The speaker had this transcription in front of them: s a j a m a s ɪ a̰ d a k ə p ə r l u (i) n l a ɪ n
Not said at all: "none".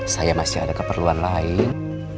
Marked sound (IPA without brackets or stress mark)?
a